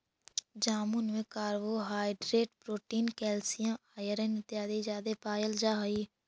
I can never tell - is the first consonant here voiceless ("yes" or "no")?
no